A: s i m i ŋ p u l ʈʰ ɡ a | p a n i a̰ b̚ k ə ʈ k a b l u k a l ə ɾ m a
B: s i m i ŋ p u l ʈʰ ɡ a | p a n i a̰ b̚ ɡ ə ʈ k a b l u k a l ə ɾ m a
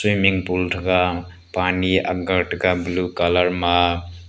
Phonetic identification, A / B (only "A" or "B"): B